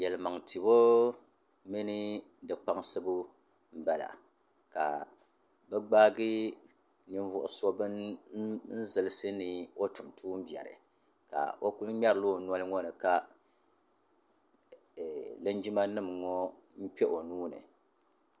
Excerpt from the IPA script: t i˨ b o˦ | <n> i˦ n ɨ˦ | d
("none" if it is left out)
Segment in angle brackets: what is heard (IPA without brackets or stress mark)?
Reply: m